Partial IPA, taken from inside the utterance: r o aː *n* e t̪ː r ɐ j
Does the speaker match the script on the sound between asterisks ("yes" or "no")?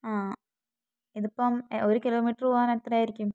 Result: yes